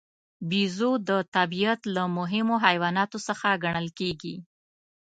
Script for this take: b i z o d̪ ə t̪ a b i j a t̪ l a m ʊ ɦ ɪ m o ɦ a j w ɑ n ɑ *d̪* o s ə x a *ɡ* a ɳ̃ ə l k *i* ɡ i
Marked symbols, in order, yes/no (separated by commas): no, yes, no